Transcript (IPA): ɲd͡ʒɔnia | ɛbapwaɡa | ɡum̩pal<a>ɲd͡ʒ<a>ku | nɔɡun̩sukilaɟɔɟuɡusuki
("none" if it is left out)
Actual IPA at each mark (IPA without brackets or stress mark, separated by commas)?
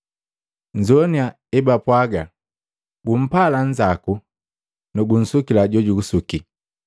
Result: a, a